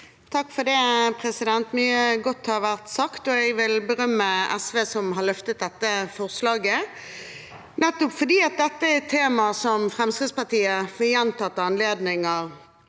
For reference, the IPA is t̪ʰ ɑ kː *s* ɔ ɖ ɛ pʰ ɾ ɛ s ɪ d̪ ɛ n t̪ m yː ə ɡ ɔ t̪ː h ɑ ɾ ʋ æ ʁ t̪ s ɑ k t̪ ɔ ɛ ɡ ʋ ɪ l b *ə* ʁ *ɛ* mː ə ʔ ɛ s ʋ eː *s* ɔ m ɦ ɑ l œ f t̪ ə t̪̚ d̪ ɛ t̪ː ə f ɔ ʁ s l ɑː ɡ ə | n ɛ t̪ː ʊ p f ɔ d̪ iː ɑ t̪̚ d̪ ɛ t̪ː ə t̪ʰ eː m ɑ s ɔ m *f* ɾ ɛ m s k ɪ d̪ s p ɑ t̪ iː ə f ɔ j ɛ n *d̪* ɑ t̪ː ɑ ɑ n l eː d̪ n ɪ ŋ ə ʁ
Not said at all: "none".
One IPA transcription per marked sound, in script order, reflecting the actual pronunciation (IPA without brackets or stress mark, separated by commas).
f, ə, œ, s, f, t̪